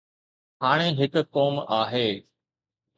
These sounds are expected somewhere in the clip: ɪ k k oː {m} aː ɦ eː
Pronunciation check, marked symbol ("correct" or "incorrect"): correct